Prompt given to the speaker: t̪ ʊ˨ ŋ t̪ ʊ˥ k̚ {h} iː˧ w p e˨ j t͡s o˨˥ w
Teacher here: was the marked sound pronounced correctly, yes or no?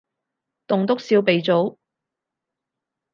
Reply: no